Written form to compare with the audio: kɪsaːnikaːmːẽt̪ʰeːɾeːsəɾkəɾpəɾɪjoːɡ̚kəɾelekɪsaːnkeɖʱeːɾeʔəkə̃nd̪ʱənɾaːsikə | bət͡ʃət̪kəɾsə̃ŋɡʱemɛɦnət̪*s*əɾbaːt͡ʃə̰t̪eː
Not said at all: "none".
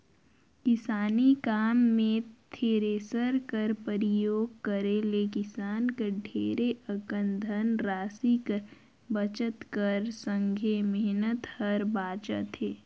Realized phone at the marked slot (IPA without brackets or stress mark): h